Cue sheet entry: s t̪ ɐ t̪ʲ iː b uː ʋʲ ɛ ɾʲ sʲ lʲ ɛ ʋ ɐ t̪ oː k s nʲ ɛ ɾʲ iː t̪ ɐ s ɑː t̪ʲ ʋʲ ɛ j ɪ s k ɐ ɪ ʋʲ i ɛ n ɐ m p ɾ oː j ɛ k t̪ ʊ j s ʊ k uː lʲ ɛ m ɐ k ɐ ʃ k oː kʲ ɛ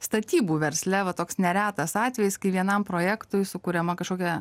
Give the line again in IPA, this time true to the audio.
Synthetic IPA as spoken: s t̪ ɐ t̪ʲ iː b uː ʋʲ ɛ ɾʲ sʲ lʲ ɛ ʋ ɐ t̪ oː k s nʲ ɛ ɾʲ æː t̪ ɐ s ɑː t̪ʲ ʋʲ ɛ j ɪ s k ɐ ɪ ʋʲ i ɛ n ɐ m p ɾ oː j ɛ k t̪ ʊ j s ʊ k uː ɾʲ ɛ m ɐ k ɐ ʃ k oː kʲ ɛ